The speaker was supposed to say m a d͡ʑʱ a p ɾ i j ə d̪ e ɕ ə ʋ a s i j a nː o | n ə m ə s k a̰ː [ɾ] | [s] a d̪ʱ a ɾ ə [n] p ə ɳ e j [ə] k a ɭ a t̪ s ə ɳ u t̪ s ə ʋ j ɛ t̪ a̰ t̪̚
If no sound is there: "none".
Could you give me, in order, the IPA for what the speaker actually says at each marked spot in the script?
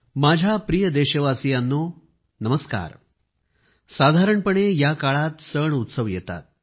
ɾ, s, ɳ, a

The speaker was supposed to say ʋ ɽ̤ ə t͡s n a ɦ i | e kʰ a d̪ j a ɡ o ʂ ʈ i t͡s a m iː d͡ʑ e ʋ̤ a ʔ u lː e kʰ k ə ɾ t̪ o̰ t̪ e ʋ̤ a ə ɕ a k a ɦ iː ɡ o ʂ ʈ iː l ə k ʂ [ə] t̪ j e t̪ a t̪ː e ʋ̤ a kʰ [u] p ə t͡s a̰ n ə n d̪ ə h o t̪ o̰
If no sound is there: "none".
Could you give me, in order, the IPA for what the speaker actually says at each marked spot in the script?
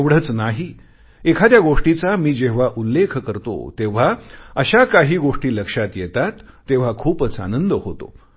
a, uː

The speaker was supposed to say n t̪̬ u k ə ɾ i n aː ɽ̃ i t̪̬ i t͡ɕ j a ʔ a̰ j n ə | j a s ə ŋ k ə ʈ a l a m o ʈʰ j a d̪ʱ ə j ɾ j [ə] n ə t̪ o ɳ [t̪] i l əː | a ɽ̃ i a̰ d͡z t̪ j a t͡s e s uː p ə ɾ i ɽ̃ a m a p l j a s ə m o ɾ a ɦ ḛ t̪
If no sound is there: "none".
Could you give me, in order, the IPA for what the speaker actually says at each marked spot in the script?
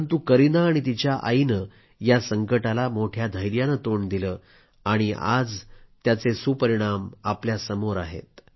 a, d̪

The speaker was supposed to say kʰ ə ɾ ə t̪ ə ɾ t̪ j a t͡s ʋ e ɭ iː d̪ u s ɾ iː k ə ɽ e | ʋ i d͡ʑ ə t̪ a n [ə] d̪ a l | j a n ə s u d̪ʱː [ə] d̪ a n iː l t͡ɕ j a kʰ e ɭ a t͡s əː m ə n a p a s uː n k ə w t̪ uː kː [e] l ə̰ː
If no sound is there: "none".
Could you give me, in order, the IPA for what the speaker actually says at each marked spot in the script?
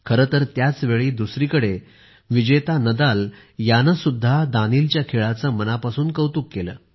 ə, a, e

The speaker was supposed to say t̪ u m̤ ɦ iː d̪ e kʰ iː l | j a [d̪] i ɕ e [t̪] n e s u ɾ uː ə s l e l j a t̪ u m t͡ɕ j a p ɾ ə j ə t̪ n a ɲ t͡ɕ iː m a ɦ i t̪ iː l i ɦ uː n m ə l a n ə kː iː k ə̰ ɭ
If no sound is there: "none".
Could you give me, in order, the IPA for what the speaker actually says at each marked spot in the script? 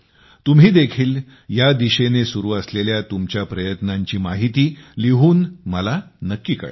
d̪, none

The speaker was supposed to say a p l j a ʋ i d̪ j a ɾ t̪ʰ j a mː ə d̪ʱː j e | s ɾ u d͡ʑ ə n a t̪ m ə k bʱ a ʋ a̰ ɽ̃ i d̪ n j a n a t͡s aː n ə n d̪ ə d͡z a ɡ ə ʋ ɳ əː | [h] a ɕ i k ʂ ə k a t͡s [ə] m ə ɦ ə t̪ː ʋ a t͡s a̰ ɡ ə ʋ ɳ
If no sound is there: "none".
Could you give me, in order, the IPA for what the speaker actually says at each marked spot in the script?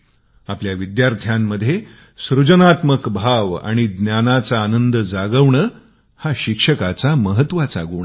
h, a

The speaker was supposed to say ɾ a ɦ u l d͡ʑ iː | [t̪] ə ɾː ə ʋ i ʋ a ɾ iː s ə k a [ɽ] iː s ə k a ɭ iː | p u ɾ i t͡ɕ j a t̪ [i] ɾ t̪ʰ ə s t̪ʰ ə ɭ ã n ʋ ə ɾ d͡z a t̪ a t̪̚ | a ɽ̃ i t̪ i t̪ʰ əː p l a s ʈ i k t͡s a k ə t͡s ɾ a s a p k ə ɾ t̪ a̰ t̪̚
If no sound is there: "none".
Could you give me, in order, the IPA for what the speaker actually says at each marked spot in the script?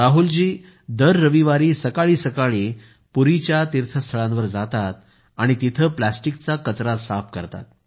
d̪, ɭ, i

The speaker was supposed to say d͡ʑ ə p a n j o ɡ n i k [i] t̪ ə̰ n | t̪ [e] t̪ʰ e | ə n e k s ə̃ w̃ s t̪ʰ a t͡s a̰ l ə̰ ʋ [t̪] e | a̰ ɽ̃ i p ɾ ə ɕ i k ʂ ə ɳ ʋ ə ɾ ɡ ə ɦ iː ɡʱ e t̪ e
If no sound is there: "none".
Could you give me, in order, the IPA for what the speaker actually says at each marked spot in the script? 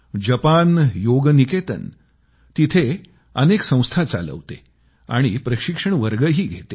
e, i, t̪

